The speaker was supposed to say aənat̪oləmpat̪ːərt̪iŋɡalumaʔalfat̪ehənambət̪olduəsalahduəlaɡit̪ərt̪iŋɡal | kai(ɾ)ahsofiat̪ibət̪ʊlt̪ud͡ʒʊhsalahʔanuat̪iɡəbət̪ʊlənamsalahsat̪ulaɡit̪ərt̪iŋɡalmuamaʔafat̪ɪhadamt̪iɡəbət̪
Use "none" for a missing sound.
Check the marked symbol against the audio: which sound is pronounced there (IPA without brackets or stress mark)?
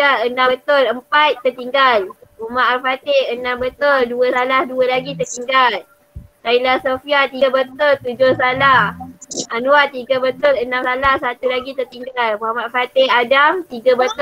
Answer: l